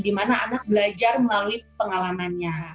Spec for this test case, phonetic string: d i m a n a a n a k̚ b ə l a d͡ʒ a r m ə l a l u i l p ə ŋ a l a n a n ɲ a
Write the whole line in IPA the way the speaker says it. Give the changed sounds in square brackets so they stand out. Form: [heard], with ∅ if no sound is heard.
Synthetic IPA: d i m a n a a n a k̚ b ə l a d͡ʒ a r m ə l a l u i [∅] p ə ŋ a l a [m] a n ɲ a